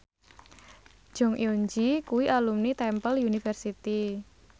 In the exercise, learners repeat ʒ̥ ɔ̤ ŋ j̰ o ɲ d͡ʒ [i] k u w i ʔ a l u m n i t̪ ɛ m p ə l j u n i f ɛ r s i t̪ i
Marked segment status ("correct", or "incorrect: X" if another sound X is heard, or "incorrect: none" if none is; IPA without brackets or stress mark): correct